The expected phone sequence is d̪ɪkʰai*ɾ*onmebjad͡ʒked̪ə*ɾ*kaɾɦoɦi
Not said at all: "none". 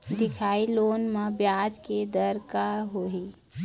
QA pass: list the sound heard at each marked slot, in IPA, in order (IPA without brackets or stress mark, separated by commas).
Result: l, ɾ